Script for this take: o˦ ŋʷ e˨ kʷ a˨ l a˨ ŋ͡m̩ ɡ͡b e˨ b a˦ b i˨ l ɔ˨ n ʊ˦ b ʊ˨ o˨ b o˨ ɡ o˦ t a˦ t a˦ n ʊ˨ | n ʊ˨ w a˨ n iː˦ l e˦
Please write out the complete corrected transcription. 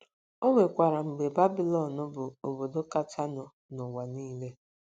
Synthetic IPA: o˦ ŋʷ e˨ kʷ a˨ ɾ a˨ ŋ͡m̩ ɡ͡b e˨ b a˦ b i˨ l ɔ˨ n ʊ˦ b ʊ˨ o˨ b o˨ d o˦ k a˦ t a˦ n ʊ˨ | n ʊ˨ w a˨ n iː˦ l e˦